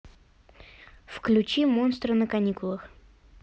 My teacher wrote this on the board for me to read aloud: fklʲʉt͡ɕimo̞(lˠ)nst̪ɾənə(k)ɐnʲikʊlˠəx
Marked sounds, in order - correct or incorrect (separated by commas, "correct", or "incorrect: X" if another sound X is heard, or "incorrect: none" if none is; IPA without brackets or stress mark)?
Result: incorrect: none, correct